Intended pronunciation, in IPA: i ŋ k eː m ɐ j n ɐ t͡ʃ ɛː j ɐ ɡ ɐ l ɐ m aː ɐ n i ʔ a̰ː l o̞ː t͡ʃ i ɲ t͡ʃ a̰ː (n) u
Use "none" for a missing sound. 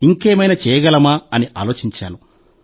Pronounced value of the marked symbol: n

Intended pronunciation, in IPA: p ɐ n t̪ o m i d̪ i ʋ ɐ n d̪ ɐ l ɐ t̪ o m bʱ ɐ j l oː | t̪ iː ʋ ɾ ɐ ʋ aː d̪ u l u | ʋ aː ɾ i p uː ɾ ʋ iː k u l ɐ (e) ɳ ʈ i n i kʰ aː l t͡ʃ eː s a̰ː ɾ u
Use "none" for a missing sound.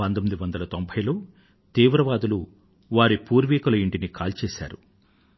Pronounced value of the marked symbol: i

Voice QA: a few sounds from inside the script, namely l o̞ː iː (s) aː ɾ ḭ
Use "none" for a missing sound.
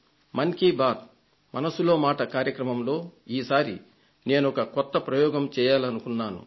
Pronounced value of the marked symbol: s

